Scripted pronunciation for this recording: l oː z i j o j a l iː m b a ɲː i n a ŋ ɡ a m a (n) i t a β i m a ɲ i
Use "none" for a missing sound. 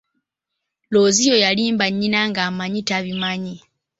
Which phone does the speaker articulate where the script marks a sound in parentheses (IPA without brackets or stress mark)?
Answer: ɲ